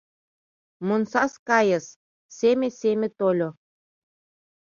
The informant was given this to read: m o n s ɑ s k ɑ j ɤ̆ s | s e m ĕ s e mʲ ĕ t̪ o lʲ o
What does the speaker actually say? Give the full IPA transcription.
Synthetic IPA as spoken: m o n s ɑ s k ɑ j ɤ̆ s | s e m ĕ s e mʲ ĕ t̪ o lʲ o